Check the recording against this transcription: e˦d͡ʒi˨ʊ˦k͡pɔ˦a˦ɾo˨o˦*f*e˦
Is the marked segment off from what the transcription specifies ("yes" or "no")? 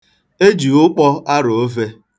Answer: yes